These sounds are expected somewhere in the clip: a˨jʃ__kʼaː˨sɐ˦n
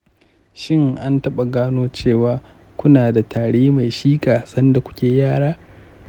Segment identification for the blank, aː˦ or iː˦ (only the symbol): iː˦